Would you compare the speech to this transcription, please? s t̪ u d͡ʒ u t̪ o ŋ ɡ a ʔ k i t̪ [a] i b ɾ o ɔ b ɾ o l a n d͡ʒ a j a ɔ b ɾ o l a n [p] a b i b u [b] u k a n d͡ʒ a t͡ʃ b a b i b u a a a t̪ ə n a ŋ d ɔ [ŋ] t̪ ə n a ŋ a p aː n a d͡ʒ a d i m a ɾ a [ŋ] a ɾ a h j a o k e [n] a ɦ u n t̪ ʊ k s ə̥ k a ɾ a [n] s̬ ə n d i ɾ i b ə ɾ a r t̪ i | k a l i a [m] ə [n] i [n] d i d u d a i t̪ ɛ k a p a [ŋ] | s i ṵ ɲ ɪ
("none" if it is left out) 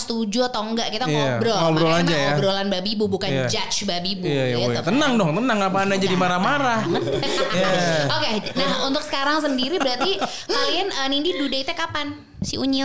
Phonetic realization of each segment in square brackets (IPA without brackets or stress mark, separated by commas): a, b, b, ŋ, m, n, ŋ, n, n, n, n